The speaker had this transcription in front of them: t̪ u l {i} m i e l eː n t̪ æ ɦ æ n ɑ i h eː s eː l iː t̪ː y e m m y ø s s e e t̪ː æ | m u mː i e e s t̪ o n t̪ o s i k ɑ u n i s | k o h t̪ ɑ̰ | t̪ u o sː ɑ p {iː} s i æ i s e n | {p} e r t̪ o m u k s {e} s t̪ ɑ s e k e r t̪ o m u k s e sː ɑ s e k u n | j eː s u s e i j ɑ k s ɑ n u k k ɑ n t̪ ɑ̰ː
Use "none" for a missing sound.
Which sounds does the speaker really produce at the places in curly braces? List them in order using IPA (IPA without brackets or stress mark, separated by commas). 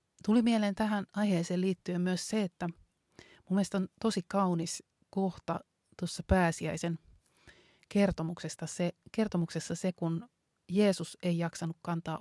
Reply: i, æː, k, e